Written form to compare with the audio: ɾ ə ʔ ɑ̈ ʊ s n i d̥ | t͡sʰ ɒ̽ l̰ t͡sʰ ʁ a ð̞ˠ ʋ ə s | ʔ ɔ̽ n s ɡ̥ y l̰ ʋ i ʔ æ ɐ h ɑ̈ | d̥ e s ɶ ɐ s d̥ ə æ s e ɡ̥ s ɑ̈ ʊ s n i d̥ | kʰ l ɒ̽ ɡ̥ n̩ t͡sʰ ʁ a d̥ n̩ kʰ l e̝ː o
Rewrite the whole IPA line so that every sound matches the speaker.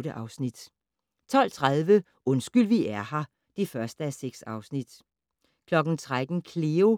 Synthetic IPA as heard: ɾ ə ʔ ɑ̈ ʊ s n i d̥ | t͡sʰ ɒ̽ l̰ t͡sʰ ʁ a ð̞ˠ ʋ ə | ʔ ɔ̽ n s ɡ̥ y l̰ ʋ i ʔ æ ɐ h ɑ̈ | d̥ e f ɶ ɐ s d̥ ə æ s e ɡ̥ s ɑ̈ ʊ s n i d̥ | kʰ l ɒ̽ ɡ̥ n̩ t͡sʰ ʁ a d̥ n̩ kʰ l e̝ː o